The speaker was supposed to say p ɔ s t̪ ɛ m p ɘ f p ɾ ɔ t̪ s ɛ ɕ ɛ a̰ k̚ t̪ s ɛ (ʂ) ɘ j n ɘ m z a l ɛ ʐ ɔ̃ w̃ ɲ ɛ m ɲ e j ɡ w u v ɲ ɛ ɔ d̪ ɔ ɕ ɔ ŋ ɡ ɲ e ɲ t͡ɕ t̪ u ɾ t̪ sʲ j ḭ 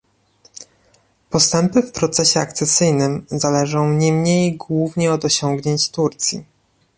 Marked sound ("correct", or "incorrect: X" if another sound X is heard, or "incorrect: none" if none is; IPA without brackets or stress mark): incorrect: s